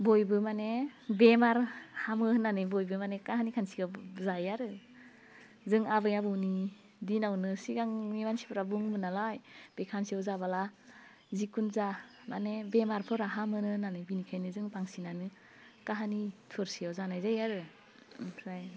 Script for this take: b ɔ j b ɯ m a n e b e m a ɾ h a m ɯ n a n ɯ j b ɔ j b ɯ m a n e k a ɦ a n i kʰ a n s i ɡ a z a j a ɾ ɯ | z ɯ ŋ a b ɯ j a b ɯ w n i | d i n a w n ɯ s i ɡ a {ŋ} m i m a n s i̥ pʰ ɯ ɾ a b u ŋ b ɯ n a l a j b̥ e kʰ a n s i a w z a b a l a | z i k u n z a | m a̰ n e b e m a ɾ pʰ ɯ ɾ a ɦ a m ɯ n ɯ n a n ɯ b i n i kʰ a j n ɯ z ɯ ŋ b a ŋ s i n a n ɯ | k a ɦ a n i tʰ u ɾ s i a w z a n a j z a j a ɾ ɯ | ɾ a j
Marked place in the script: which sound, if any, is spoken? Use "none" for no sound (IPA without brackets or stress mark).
ŋ